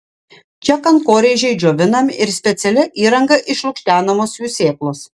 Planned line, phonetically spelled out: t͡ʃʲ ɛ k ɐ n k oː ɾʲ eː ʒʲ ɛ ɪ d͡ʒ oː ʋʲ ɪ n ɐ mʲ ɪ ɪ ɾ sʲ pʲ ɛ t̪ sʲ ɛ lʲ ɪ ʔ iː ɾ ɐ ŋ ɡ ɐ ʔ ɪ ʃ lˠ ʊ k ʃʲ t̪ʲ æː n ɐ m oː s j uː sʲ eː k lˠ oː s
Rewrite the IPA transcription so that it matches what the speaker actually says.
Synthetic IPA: t͡ʃʲ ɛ k ɐ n k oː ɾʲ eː ʒʲ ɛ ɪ d͡ʒ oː ʋʲ ɪ n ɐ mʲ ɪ ɪ ɾ sʲ pʲ ɛ t̪ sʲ ɛ lʲ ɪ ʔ iː ɾ ɐ ŋ ɡ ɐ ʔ ɪ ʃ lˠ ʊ k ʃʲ t̪ʲ æː n ɐ m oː s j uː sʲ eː k lˠ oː s